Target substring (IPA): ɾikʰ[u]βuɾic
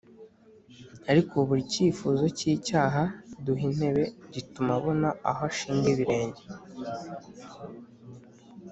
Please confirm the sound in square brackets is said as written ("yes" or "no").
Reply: no